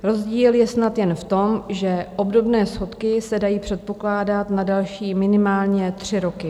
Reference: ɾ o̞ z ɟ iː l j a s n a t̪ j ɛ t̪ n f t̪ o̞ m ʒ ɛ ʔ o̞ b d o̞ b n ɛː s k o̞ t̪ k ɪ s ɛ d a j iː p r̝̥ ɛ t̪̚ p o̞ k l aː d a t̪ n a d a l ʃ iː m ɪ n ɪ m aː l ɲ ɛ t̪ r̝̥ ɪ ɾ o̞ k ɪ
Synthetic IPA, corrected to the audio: ɾ o̞ z ɟ iː l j ɛ s n a t̪ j ɛ n f t̪ o̞ m ʒ ɛ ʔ o̞ b d o̞ b n ɛː s x o̞ t̪ k ɪ s ɛ d a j iː p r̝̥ ɛ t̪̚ p o̞ k l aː d a t̪ n a d a l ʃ iː m ɪ n ɪ m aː l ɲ ɛ t̪ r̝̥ ɪ ɾ o̞ k ɪ